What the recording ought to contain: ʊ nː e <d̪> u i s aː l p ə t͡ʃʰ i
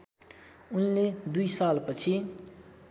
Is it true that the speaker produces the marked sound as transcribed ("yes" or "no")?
yes